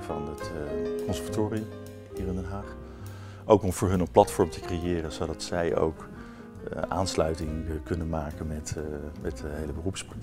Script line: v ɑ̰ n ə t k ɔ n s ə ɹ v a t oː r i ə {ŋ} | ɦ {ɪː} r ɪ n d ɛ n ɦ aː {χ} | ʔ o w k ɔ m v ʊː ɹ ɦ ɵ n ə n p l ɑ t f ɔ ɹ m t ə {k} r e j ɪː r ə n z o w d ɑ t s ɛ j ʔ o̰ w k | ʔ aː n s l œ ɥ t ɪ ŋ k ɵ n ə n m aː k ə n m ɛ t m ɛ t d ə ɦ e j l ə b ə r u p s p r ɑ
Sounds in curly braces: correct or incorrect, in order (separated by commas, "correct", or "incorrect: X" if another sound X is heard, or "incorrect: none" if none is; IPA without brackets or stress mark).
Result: incorrect: m, incorrect: iː, correct, correct